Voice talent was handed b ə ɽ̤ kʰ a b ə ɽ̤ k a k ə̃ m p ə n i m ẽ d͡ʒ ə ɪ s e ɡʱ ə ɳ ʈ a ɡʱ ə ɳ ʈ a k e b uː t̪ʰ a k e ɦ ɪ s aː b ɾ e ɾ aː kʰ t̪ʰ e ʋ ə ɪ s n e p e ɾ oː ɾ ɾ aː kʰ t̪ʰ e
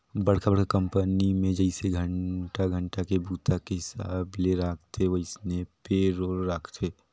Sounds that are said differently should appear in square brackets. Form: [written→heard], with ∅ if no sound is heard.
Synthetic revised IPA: b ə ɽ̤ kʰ a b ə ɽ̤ k a k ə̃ m p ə n i m ẽ d͡ʒ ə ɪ s e ɡʱ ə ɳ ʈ a ɡʱ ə ɳ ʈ a k e b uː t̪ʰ a k e ɦ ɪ s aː b [ɾ→l] e ɾ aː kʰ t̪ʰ e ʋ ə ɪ s n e p e ɾ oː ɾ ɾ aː kʰ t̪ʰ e